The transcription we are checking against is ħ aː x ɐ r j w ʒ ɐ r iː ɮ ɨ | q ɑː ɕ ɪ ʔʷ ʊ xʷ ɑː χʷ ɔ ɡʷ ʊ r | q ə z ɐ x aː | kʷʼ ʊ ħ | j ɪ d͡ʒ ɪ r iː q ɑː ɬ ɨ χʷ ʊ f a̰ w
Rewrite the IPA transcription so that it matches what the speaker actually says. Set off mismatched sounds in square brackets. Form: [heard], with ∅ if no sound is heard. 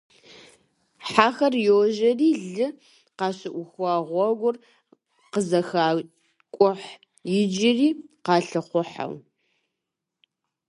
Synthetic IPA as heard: ħ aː x ɐ r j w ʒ ɐ r iː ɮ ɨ | q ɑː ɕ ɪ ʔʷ ʊ xʷ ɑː [ʁʷ] ɔ ɡʷ ʊ r | q ə z ɐ x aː | kʷʼ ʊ ħ | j ɪ d͡ʒ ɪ r iː q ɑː ɬ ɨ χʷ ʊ [ħ] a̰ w